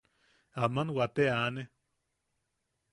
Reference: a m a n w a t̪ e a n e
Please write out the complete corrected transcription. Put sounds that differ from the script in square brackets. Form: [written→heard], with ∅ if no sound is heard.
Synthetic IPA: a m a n w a t̪ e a n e